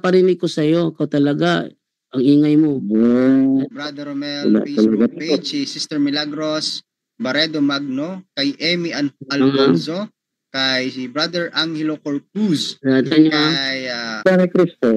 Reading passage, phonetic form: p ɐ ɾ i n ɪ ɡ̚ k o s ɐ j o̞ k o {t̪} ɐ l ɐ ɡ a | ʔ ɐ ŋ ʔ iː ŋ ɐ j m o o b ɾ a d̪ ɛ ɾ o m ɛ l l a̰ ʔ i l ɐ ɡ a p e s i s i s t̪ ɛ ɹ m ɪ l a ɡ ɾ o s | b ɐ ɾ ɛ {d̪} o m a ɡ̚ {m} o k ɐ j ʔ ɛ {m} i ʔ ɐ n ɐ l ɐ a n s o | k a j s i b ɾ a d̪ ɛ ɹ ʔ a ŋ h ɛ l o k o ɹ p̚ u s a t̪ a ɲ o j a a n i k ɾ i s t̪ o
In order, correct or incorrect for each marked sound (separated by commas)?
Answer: correct, correct, incorrect, correct